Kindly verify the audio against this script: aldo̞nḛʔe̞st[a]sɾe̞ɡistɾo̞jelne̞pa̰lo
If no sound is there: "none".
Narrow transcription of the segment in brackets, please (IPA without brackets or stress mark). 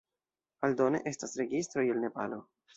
a